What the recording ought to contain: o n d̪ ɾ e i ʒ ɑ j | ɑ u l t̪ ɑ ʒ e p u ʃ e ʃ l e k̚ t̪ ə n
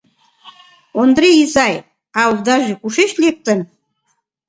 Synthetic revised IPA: o n d̪ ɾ e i z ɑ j | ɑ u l d̪ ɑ ʒ e k u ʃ e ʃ l e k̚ t̪ ə n